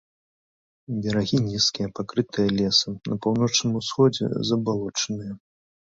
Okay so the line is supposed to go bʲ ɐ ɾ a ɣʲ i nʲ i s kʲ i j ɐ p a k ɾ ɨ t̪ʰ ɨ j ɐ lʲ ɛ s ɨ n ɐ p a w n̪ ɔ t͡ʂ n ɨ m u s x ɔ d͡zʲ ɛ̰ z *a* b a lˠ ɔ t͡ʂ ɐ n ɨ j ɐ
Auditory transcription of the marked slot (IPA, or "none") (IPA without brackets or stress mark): ɐ